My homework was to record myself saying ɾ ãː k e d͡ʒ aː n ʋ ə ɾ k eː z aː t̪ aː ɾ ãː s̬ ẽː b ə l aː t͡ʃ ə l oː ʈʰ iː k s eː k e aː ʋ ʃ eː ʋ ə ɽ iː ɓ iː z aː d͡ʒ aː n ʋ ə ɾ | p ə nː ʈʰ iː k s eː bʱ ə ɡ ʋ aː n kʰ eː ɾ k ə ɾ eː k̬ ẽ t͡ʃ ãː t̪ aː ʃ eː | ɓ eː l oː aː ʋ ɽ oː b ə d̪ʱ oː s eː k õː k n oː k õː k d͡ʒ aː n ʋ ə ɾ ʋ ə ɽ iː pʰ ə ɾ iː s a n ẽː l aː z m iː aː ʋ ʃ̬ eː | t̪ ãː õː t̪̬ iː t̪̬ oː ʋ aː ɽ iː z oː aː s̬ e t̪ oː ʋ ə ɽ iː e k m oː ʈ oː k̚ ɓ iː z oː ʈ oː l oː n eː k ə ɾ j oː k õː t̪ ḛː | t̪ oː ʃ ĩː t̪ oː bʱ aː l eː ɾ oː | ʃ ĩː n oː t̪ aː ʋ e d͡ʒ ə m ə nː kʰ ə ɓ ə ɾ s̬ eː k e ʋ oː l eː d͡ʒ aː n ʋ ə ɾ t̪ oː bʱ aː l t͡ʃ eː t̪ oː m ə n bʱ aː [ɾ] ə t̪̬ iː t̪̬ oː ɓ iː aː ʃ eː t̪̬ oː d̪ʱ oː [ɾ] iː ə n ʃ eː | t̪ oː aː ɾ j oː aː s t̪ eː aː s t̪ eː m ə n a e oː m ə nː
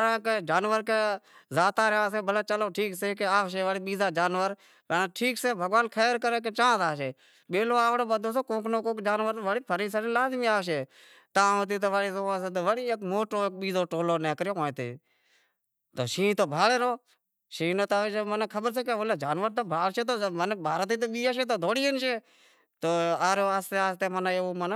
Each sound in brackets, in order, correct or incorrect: correct, incorrect: ɽ

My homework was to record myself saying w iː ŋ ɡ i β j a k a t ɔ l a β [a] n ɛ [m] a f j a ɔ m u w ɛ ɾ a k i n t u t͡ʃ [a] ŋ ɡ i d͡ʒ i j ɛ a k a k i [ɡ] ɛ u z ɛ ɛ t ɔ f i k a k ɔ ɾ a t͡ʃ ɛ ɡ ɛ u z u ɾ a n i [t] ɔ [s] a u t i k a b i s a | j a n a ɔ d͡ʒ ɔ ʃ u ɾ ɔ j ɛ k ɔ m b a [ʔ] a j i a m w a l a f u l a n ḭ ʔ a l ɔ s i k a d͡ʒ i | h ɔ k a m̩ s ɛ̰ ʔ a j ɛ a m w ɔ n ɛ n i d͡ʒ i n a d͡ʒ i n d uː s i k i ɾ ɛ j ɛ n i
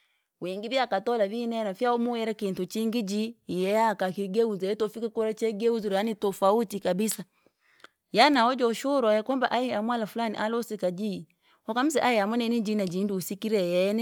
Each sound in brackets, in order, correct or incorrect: incorrect: i, incorrect: n, incorrect: i, correct, correct, incorrect: f, correct

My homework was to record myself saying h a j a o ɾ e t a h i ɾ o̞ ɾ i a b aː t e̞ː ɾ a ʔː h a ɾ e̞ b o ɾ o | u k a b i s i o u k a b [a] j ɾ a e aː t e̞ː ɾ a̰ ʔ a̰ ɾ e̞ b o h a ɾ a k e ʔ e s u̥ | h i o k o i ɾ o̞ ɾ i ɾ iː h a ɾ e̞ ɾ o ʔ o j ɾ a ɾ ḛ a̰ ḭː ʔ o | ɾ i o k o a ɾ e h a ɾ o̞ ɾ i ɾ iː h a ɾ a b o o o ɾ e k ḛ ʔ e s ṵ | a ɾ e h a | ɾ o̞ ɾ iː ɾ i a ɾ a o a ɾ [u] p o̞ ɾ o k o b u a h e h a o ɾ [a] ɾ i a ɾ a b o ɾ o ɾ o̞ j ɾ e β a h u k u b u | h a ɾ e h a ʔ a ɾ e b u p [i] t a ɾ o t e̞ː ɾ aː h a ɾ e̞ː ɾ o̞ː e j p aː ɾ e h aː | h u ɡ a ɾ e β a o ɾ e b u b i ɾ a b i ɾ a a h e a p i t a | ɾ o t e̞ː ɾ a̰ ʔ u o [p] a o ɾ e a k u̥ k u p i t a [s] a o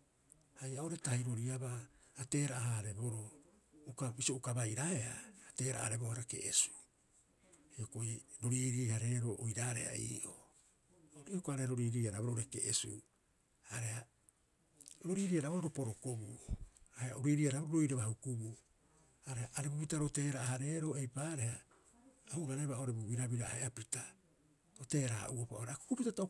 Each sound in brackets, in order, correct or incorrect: correct, incorrect: o, incorrect: i, correct, correct, incorrect: t

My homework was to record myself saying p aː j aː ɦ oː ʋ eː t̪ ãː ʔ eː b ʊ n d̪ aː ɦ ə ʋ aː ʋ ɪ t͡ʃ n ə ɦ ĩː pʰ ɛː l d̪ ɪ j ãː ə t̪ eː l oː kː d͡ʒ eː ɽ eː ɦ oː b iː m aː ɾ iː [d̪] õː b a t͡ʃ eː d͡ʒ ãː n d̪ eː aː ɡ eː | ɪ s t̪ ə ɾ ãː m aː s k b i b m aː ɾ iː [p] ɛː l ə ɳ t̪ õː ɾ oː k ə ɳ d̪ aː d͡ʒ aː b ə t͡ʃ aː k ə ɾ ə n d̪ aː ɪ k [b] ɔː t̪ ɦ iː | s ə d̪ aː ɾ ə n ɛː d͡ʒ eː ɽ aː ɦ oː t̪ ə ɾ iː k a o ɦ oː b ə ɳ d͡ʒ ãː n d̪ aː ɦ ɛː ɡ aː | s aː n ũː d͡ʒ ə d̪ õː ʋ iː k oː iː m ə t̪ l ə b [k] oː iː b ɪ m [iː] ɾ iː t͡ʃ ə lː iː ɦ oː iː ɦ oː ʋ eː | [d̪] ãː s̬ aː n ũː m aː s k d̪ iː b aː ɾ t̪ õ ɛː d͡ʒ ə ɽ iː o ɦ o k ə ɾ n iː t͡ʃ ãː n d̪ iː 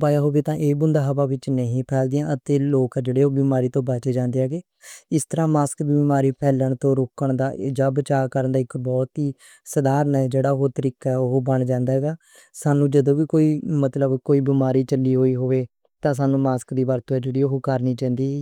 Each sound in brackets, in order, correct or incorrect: incorrect: t̪, incorrect: pʰ, correct, correct, incorrect: aː, incorrect: t̪

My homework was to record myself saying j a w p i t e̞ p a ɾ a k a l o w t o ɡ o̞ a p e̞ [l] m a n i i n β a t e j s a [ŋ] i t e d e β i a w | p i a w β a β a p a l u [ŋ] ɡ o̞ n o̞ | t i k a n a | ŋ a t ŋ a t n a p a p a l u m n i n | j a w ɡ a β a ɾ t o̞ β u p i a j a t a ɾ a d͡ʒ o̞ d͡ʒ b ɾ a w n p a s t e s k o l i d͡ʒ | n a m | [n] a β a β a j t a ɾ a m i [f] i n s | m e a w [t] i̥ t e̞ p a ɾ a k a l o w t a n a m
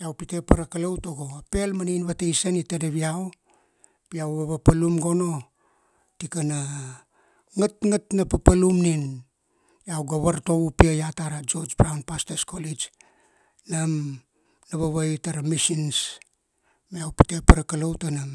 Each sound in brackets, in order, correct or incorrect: correct, incorrect: n, incorrect: m, correct, incorrect: s, incorrect: p

